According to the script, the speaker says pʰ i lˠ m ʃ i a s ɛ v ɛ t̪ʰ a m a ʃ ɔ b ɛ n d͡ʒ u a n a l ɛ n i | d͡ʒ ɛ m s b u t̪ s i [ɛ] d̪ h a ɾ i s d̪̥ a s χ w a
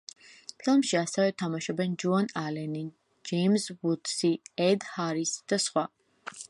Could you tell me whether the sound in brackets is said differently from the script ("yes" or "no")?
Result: no